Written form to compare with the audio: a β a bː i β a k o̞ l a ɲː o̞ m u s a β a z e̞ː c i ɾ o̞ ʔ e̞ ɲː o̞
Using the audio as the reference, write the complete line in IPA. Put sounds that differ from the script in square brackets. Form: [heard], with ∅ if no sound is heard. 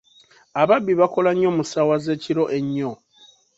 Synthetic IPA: a β a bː i β a k o̞ l a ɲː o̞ m u s a [w] a z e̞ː c i ɾ o̞ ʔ e̞ ɲː o̞